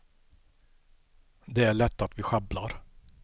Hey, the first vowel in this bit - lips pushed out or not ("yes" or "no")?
no